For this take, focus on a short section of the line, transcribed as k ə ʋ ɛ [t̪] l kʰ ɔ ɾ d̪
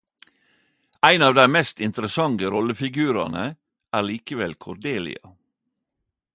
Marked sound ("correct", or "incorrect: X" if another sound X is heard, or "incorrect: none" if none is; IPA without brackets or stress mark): incorrect: none